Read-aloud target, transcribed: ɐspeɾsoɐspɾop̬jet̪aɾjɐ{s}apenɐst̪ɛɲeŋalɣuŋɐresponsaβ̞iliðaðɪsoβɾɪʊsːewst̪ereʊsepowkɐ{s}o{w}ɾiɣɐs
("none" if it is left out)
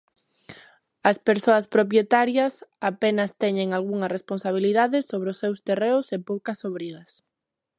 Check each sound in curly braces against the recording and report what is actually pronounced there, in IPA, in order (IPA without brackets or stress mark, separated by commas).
s, s, β